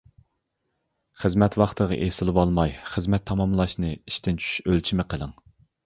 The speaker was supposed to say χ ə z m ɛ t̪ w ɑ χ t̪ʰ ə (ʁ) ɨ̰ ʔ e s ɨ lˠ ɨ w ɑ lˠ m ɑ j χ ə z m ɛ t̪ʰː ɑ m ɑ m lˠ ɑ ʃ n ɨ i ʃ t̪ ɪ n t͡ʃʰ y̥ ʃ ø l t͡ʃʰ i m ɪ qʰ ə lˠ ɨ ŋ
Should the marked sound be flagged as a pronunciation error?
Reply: no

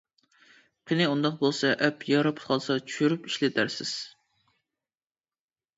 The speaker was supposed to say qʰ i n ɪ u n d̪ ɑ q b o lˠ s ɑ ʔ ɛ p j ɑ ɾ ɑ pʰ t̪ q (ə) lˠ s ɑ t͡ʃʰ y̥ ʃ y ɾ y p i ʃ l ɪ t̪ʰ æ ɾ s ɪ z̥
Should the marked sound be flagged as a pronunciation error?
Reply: yes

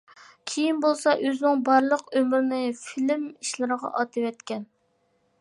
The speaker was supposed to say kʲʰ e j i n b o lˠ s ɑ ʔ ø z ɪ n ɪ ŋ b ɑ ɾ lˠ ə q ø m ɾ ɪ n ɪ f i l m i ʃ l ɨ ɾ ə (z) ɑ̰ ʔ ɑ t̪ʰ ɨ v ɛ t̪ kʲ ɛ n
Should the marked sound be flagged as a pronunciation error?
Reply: yes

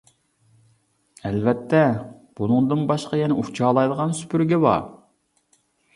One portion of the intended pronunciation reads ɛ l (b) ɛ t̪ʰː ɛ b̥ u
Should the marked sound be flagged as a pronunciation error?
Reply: yes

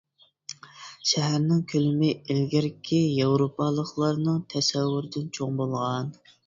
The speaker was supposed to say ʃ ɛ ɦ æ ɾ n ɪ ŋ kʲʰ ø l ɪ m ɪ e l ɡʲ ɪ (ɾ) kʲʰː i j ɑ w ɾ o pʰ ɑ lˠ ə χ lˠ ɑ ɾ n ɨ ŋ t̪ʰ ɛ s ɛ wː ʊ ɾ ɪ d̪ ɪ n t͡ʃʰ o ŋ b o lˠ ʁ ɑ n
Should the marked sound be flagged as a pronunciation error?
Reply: no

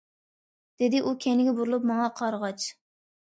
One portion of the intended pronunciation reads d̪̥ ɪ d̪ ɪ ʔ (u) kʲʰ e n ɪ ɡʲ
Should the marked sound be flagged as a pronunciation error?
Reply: no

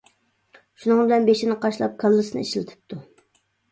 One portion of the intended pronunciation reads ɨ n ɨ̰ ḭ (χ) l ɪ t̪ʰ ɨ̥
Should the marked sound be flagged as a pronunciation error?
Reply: yes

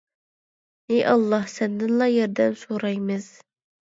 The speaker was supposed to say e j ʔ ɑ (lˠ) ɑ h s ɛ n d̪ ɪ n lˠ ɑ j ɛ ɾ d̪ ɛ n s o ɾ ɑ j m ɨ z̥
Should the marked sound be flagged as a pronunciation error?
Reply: yes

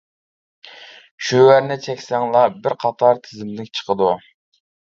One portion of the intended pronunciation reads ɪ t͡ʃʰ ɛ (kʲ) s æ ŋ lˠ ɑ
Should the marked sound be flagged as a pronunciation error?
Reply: no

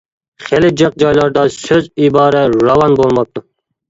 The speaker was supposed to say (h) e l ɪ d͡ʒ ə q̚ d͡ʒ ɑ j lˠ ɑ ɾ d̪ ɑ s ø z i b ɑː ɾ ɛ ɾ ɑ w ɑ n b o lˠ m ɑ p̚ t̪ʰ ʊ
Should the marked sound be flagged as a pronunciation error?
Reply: yes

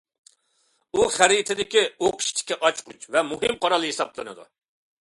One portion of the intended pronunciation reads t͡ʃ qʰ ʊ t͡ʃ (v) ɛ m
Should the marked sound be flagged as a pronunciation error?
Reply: no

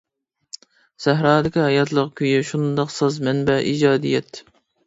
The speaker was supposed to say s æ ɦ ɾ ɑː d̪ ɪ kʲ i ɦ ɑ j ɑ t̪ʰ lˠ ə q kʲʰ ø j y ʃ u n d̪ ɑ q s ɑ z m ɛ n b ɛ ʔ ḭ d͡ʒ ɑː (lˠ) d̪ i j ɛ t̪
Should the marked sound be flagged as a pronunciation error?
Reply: yes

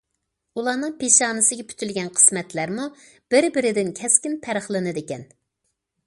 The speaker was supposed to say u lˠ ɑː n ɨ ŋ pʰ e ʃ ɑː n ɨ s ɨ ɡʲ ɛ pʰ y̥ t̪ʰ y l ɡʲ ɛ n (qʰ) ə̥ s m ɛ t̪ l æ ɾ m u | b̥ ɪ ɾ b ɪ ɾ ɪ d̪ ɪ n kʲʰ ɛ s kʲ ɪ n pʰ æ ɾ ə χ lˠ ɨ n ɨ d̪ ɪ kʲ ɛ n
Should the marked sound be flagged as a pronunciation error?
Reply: no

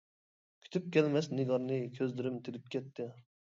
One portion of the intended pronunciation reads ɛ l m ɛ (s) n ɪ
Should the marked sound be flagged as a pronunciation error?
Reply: no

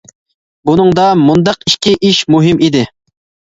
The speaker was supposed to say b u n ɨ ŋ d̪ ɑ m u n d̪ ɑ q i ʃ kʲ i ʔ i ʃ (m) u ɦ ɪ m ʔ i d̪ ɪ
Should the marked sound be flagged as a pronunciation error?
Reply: no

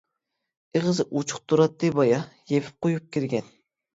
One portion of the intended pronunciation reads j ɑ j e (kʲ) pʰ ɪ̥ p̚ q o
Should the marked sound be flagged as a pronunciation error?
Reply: yes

